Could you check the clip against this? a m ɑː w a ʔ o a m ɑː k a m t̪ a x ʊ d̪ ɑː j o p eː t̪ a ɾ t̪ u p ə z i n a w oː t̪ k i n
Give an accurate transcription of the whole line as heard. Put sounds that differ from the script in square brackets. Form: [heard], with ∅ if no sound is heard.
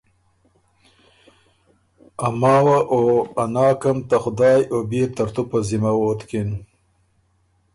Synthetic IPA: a m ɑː w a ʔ o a [n] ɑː k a m t̪ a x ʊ d̪ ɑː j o [b] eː t̪ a ɾ t̪ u p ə z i [m] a w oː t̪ k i n